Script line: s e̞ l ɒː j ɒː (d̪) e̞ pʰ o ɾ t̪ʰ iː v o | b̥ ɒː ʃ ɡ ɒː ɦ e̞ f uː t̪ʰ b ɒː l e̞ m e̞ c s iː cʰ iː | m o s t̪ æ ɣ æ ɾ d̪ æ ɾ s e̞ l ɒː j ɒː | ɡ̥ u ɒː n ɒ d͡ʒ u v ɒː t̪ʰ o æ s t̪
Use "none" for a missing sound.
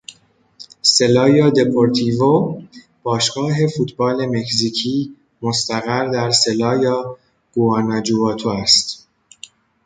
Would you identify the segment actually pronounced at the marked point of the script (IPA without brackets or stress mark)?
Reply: d̪